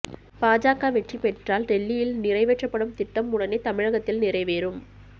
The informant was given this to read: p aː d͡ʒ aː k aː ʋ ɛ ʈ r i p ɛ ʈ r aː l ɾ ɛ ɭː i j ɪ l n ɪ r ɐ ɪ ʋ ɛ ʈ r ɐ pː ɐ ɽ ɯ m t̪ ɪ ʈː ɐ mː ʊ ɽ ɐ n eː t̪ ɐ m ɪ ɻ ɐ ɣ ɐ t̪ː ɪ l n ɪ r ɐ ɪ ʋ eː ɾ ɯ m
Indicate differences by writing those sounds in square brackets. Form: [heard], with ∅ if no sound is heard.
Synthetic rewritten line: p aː d͡ʒ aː k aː ʋ ɛ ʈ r i p ɛ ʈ r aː l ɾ ɛ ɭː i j ɪ l n ɪ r ɐ ɪ ʋ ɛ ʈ r ɐ pː ɐ ɽ ɯ m t̪ ɪ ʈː ɐ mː ʊ ɽ ɐ n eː t̪ ɐ m ɪ ɻ ɐ ɣ ɐ t̪ː ɪ l n ɪ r ɐ ɪ ʋ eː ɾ ɯ m